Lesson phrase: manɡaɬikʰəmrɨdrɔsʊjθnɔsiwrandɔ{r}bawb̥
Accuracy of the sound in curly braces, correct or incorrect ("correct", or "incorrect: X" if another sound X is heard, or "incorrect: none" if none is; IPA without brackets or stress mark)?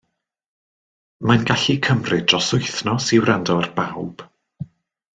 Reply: correct